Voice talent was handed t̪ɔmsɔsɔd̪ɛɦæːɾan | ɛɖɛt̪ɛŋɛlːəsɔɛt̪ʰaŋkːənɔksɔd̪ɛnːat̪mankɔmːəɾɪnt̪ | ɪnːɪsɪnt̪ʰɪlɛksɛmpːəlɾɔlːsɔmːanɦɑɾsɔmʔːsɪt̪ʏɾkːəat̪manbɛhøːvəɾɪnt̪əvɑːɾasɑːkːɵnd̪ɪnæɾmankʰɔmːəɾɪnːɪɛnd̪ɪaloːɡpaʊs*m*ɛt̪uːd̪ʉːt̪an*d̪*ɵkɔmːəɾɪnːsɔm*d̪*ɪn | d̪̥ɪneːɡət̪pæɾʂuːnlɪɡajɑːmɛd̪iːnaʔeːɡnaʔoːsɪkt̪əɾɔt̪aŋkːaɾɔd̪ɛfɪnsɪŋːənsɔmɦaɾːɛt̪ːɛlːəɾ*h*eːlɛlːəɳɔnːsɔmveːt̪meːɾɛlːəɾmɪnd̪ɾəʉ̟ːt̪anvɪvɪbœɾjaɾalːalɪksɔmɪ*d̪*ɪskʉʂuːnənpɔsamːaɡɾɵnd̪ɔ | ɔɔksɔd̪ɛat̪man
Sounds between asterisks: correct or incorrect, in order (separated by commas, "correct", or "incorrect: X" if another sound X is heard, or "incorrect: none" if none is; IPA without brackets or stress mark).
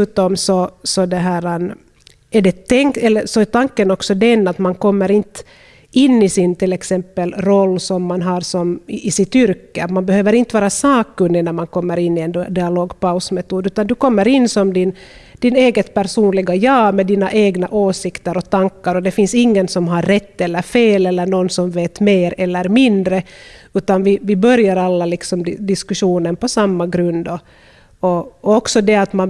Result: correct, correct, correct, incorrect: f, correct